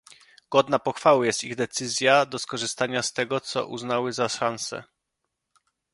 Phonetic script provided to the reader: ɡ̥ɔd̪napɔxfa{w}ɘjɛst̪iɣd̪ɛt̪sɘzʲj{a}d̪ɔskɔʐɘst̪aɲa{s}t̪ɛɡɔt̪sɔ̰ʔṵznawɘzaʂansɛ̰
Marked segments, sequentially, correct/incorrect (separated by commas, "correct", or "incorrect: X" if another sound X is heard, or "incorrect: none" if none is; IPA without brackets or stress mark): correct, correct, correct